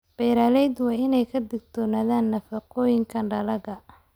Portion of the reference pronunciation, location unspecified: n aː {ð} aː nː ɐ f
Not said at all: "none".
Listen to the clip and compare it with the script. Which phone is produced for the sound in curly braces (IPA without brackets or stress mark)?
ð